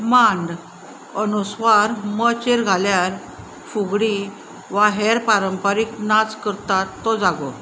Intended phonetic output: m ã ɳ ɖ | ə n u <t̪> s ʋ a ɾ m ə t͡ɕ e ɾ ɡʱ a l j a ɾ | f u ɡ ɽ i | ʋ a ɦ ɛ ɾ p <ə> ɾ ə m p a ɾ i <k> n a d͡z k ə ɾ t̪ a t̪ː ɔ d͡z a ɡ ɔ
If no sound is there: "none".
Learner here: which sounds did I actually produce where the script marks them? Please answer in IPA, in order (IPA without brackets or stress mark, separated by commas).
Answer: none, a, k